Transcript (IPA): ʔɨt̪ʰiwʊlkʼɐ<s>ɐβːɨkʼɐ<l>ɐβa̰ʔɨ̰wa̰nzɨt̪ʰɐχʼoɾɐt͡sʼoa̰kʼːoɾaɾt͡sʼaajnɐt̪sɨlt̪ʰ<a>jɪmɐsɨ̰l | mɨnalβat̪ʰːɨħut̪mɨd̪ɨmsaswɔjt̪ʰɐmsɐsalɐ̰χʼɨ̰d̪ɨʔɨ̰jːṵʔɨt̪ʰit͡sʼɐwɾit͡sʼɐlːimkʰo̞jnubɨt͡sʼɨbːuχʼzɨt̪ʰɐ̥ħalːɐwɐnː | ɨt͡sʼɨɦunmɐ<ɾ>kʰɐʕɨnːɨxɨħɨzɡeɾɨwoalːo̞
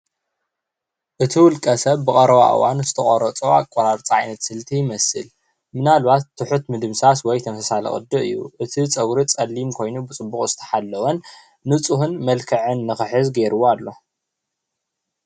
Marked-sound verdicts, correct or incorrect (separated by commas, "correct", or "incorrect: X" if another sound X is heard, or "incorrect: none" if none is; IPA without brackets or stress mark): correct, incorrect: ɾ, incorrect: i, incorrect: l